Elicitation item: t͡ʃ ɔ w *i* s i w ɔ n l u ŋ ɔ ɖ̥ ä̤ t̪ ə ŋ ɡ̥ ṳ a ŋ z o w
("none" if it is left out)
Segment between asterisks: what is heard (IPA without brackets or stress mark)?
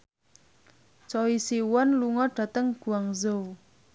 i